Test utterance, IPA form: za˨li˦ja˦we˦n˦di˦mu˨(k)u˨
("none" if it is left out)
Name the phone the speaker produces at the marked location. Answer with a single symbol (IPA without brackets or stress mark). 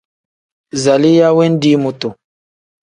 t